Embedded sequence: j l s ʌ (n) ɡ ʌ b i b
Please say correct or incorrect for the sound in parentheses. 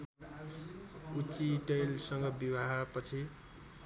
incorrect